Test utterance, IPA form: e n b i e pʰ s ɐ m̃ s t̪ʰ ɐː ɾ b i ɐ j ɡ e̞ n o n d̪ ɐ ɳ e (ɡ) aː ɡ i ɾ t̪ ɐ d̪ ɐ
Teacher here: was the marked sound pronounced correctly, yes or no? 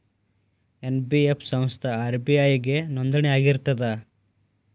no